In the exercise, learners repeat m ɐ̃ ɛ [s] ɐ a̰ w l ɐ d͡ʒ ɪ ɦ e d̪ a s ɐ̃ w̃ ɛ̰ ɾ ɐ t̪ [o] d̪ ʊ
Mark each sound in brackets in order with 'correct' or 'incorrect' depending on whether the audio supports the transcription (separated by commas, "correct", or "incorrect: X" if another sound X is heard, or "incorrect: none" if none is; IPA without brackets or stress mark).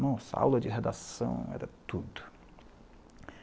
correct, incorrect: u